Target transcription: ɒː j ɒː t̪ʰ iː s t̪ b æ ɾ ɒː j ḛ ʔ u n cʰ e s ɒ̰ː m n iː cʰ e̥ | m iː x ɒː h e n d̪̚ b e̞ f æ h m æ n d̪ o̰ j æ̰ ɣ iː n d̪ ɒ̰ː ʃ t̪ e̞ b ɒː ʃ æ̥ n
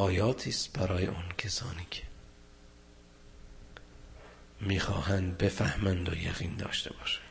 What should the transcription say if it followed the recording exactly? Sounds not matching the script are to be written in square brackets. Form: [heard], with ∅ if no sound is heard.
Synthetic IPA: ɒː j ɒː t̪ʰ iː s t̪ b æ ɾ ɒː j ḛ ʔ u n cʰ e s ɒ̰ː [∅] n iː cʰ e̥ | m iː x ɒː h [æ] n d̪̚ b e̞ f æ h m æ n d̪ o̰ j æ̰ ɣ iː n d̪ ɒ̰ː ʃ t̪ e̞ b ɒː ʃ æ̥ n